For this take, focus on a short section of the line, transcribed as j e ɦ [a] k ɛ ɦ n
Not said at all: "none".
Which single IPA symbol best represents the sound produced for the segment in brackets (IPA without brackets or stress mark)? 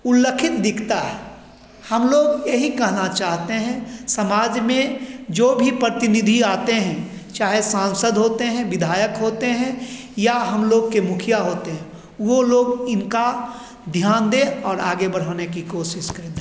i